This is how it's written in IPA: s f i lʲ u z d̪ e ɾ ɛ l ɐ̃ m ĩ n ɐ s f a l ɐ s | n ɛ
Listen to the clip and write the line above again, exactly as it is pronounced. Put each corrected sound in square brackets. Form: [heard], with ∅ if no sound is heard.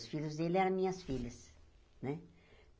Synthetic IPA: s f i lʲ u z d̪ e [l] ɛ [ɾ] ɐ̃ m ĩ [ɲ] ɐ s f [i] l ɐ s | n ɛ